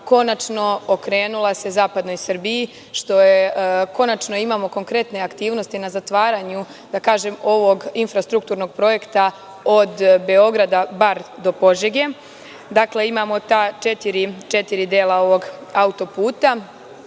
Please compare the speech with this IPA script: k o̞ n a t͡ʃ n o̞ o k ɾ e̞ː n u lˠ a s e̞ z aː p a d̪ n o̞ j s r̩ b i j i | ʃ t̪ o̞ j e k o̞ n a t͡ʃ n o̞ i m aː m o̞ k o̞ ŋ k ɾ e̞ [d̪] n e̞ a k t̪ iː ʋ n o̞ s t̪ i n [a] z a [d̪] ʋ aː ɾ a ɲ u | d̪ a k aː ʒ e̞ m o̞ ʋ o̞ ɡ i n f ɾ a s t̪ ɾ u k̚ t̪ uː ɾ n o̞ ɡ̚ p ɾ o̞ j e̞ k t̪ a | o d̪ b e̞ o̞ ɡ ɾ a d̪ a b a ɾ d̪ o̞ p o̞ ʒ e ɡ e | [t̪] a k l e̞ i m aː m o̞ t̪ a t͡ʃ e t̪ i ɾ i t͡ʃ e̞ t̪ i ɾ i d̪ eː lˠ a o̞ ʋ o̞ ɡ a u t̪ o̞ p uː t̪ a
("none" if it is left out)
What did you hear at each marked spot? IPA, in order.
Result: t̪, a, t̪, d̪

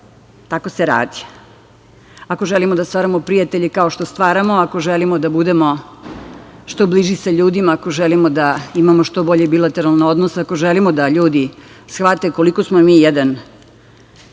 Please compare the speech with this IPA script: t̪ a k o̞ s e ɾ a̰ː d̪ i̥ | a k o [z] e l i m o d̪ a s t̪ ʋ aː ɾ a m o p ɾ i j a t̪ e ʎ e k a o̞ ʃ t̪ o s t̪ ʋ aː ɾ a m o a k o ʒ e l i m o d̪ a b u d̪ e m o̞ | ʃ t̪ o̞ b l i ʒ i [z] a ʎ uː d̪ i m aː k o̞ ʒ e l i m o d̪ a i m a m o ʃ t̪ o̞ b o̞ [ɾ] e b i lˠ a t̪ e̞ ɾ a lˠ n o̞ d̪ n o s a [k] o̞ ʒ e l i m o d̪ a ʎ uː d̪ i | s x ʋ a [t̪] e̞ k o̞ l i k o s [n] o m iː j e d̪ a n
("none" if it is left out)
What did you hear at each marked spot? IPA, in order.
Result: ʒ, s, ʎ, k, t̪, m

